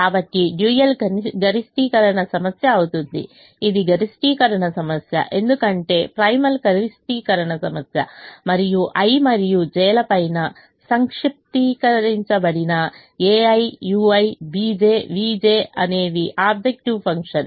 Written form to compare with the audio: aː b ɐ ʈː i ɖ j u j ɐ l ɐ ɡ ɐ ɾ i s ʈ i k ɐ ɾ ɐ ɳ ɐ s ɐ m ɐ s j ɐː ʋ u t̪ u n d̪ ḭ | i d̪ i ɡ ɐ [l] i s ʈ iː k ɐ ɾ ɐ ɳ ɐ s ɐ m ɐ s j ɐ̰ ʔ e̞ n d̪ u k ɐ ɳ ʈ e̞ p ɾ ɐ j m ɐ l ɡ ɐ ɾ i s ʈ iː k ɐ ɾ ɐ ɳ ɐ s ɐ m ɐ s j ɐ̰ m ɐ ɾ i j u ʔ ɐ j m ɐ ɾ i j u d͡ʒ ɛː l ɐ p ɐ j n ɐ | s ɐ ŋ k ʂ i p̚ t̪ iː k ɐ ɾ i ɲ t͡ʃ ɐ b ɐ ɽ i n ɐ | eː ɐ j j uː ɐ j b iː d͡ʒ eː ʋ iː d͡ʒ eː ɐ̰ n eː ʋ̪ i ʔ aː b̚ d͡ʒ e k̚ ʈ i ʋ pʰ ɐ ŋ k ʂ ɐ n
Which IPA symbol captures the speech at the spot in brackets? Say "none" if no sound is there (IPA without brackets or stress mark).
ɾ